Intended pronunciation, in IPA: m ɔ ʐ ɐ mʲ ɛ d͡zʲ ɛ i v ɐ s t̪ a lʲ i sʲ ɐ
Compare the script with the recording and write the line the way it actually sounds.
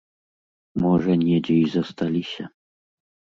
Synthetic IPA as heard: m ɔ ʐ ɐ nʲ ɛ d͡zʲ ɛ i z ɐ s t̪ a lʲ i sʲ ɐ